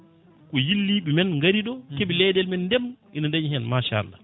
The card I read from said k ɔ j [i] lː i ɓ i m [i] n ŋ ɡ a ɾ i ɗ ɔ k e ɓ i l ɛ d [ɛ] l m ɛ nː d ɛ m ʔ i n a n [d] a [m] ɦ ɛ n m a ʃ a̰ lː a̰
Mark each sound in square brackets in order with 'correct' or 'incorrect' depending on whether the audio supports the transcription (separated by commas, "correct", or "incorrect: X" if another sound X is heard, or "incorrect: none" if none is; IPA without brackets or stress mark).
correct, incorrect: ɛ, correct, correct, incorrect: ɲ